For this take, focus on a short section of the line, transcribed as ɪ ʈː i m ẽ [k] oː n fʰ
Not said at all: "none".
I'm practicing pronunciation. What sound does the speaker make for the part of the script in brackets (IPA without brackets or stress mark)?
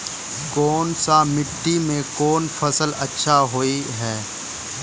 k